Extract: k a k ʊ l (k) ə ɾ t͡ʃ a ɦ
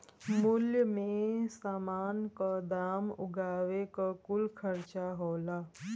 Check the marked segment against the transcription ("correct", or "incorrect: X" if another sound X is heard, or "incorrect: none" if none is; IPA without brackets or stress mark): incorrect: kʰ